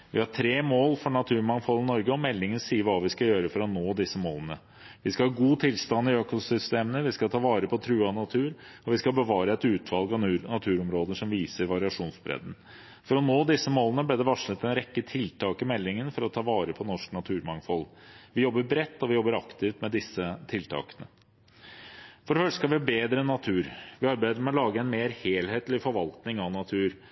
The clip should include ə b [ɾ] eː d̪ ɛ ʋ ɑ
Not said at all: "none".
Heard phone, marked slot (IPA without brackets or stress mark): l